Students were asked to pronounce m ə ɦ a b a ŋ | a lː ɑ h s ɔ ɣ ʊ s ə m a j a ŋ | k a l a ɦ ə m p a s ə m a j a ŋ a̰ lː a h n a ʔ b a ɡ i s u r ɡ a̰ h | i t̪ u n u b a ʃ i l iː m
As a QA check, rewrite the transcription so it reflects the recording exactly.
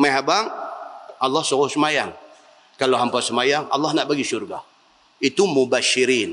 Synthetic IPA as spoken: m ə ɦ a b a ŋ | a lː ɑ h s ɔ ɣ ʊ s ə m a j a ŋ | k a l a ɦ a m p a s ə m a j a ŋ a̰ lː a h n a ʔ b a ɡ i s u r ɡ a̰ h | i t̪ u m u b a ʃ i ɾ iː n